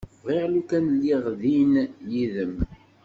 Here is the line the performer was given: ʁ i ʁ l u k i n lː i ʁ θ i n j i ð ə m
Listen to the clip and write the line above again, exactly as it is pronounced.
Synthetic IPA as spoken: ʁ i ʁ l u k æ n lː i ʁ ð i n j i ð ə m